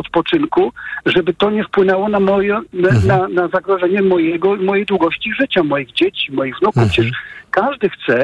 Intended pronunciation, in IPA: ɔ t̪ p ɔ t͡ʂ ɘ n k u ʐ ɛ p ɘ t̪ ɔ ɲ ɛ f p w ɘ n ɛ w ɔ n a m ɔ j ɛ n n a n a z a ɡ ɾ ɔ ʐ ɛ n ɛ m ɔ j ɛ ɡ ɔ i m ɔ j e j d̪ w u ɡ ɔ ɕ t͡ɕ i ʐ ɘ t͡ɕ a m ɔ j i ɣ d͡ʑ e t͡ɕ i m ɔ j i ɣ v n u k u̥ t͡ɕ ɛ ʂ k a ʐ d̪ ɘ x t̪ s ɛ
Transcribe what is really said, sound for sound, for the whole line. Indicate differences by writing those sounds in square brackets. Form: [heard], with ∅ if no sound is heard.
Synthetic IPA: ɔ t̪ p ɔ t͡ʂ ɘ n k u ʐ ɛ [b] ɘ t̪ ɔ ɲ ɛ f p w ɘ n ɛ w ɔ n a m ɔ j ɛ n n a n a z a ɡ ɾ ɔ ʐ ɛ [ɲ] ɛ m ɔ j ɛ ɡ ɔ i m ɔ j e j d̪ w u ɡ ɔ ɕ t͡ɕ i ʐ ɘ t͡ɕ a m ɔ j i ɣ d͡ʑ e t͡ɕ i m ɔ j i ɣ v n u k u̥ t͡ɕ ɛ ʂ k a ʐ d̪ ɘ x t̪ s ɛ